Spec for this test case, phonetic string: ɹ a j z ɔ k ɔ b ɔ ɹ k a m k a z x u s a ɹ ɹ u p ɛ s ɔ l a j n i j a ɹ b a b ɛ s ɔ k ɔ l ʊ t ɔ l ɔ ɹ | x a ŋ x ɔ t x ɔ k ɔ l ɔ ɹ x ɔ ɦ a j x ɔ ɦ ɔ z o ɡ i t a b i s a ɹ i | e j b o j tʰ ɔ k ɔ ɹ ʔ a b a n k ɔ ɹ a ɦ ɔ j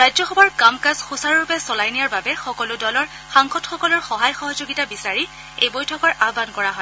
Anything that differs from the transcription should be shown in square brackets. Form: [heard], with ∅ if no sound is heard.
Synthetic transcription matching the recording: ɹ a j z ɔ [x] ɔ b ɔ ɹ k a m k a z x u s a ɹ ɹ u p ɛ s ɔ l a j n i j a ɹ b a b ɛ [x] ɔ k ɔ l ʊ [d] ɔ l ɔ ɹ | x a ŋ x ɔ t x ɔ k ɔ l ɔ ɹ x ɔ ɦ a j x ɔ ɦ ɔ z o ɡ i t a b i s a ɹ i | e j b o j tʰ ɔ k ɔ ɹ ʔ a b a n k ɔ ɹ a ɦ ɔ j